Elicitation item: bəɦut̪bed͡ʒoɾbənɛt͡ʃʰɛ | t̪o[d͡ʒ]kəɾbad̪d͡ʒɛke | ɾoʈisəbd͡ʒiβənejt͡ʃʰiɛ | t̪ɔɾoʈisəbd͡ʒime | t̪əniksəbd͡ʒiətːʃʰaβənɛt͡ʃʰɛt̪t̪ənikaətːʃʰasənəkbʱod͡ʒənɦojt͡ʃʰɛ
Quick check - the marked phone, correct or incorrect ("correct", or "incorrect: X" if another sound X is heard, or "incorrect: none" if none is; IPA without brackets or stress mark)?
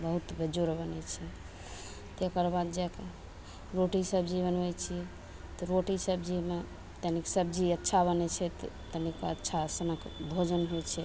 incorrect: none